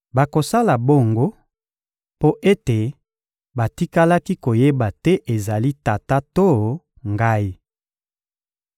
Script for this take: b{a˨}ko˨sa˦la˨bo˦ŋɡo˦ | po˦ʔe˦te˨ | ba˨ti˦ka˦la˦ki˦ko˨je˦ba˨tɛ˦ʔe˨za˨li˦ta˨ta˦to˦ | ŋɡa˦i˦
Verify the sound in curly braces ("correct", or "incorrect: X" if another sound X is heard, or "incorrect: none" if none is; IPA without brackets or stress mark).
correct